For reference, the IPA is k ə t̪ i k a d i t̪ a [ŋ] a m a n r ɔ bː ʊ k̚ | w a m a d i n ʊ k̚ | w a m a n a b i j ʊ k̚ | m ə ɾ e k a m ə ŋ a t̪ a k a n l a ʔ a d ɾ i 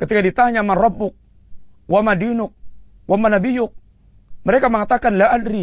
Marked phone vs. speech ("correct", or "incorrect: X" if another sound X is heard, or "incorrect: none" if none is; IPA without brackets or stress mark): incorrect: ɲ